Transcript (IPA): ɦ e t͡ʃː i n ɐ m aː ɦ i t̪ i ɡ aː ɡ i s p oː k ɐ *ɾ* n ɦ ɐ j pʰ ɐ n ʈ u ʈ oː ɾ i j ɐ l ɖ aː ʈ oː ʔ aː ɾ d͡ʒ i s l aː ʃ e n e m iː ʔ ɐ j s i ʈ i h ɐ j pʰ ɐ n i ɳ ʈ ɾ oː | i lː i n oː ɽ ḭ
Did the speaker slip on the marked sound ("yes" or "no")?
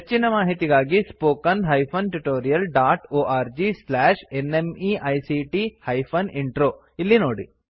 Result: yes